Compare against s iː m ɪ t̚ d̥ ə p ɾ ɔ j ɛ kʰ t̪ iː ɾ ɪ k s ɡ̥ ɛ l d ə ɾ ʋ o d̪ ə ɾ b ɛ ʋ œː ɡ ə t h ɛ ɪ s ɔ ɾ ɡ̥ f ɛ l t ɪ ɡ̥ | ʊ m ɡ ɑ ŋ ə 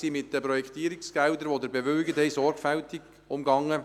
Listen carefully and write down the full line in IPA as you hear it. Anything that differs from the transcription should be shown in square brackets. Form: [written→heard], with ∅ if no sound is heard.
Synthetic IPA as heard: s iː m ɪ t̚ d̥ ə p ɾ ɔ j ɛ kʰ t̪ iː ɾ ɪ k s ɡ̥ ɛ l d ə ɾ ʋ o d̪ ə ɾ b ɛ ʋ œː ɡ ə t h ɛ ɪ s ɔ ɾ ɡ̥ f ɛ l t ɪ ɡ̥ | ʊ m ɡ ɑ ŋ ə